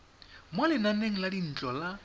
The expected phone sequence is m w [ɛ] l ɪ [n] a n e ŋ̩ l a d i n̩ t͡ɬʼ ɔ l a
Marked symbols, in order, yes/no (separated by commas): no, yes